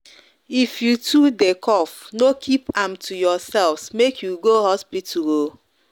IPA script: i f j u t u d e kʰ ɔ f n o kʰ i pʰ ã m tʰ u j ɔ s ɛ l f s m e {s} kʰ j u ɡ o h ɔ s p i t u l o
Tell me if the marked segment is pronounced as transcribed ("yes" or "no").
no